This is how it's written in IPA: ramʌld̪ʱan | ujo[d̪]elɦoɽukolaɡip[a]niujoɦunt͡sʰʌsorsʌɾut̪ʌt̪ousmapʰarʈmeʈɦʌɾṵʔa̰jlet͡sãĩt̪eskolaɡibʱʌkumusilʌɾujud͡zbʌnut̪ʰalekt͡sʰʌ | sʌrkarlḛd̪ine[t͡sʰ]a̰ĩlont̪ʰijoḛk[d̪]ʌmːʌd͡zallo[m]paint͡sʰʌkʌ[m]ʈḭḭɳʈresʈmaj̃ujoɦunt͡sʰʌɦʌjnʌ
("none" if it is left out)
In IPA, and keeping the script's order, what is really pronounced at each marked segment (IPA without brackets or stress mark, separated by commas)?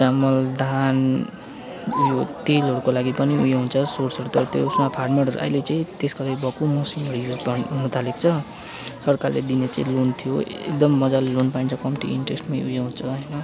t̪, ʌ, t͡s, d̪, n, m